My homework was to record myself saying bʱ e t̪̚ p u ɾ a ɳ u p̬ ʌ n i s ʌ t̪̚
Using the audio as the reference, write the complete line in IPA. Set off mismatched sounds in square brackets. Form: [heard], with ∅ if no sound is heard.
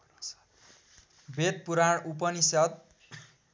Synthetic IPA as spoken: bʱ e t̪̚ p u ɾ a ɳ u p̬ ʌ n i s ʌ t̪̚